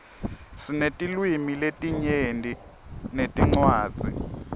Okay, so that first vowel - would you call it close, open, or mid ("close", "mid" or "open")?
close